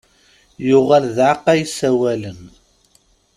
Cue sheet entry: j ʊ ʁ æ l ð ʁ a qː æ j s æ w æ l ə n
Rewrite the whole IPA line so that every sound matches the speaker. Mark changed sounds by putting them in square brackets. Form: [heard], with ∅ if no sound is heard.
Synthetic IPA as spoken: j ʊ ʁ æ l ð [ʕ] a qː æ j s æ w æ l ə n